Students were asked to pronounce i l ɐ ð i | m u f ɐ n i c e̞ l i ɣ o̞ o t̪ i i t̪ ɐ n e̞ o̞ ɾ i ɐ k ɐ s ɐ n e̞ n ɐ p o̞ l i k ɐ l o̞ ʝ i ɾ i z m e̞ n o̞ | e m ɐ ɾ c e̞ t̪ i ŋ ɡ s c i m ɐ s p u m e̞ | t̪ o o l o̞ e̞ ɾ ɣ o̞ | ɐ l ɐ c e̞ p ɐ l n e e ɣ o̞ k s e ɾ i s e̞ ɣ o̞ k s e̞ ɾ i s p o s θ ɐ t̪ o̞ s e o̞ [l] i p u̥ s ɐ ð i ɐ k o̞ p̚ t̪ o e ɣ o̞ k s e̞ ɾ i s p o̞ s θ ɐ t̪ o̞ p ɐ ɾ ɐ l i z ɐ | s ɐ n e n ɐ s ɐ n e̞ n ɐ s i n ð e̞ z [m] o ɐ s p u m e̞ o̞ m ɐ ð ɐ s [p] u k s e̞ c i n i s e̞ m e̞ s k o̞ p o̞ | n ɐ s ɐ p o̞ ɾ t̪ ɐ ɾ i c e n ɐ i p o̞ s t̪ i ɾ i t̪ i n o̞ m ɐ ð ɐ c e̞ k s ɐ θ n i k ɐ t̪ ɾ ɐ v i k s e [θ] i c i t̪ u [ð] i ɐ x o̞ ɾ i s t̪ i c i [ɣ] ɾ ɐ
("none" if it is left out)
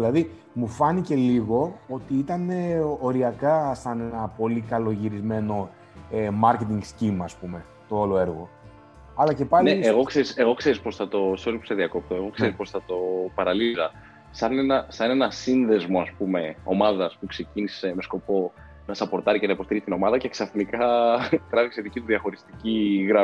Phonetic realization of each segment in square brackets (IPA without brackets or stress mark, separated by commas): l, m, p, ð, ð, ɣ